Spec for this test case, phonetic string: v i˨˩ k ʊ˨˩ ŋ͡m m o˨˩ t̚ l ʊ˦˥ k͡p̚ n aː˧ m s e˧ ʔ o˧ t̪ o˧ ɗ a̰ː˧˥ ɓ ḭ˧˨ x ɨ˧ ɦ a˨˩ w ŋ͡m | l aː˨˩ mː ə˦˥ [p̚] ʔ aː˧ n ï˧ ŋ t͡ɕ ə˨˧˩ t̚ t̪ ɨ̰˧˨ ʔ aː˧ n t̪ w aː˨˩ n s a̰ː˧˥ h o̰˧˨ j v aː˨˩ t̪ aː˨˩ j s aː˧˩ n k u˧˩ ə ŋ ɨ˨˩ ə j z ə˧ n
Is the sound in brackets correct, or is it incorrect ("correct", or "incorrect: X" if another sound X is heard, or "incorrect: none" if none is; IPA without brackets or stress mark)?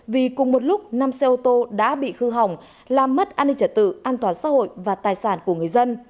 incorrect: t̚